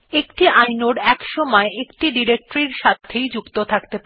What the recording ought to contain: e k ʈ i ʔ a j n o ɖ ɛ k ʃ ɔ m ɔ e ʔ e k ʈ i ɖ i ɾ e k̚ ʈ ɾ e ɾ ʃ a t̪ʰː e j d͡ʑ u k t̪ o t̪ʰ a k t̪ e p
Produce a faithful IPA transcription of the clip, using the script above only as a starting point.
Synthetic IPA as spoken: e k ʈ i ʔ a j n o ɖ ɛ k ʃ ɔ m ɔ e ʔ e k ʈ i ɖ i ɾ e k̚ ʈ ɾ i ɾ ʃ a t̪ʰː e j d͡ʑ u k t̪ o t̪ʰ a k t̪ e p